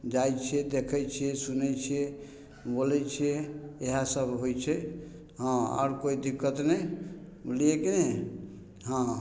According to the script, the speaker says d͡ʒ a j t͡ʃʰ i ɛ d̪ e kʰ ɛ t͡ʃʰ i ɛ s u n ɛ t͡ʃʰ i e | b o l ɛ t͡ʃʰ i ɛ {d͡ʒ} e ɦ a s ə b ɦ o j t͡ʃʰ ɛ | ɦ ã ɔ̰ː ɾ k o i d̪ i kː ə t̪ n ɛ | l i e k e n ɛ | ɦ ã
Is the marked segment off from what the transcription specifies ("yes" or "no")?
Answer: yes